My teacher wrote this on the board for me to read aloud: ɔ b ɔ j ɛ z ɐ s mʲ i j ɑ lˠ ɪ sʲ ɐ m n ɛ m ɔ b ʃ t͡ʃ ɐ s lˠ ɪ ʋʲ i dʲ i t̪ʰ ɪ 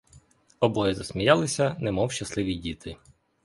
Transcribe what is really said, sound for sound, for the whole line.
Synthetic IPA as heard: ɔ b ɔ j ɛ z ɐ s mʲ i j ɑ lˠ ɪ sʲ ɐ n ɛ m ɔ w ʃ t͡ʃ ɐ s lˠ ɪ ʋʲ i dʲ i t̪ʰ ɪ

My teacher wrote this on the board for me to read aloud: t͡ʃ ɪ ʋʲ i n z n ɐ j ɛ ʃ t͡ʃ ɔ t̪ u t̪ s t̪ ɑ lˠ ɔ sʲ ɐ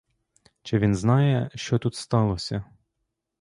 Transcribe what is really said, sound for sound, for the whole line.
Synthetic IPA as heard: t͡ʃ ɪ ʋʲ i n z n ɑ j ɛ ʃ t͡ʃ ɔ t̪ u t̪ s t̪ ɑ lˠ ɔ sʲ ɐ

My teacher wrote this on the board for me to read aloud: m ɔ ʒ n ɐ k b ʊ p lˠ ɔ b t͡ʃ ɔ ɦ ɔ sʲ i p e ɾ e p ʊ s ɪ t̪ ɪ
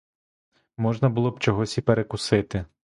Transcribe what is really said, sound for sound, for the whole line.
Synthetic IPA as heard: m ɔ ʒ n ɐ b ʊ lˠ ɔ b t͡ʃ ɔ ɦ ɔ sʲ i p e ɾ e k ʊ s ɪ t̪ ɪ

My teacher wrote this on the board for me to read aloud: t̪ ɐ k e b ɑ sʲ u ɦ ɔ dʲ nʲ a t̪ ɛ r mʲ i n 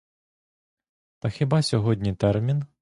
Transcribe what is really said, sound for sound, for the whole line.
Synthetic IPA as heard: t̪ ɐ x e b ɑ sʲ ɔ ɦ ɔ dʲ nʲ i t̪ ɛ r mʲ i n

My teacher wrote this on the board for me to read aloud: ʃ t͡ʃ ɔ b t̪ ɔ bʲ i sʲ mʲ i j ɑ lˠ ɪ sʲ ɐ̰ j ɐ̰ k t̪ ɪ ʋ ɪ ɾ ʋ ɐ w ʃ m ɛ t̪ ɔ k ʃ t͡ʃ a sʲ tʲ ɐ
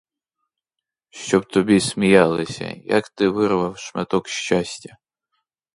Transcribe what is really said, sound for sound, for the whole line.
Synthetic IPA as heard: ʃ t͡ʃ ɔ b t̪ ɔ bʲ i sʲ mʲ i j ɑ lˠ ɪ sʲ ɐ̰ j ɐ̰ k t̪ ɪ ʋ ɪ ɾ ʋ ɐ w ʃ m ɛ t̪ ɔ k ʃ t͡ʃ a sʲ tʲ ɐ

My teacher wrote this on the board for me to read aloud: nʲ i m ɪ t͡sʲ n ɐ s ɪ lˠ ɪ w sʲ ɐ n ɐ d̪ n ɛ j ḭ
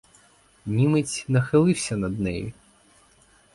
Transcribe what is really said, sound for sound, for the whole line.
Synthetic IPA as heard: nʲ i m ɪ t͡sʲ n ɐ x ɪ lˠ ɪ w sʲ ɐ n ɐ d̪ n ɛ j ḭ

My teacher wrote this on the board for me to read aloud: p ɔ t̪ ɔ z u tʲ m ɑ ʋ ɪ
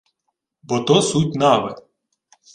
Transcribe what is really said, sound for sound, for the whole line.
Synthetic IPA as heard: b ɔ t̪ ɔ s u tʲ n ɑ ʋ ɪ

